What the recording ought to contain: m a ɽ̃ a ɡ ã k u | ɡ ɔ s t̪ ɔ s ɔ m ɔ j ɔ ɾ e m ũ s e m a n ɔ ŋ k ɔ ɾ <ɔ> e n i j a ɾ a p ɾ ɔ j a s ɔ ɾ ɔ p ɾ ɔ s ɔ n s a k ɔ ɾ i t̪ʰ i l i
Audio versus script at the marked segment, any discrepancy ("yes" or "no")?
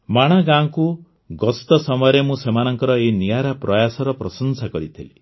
no